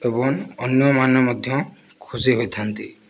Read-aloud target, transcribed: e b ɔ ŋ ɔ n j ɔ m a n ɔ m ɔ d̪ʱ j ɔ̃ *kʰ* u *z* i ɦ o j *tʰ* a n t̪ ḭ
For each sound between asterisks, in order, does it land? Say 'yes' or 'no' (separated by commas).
yes, yes, yes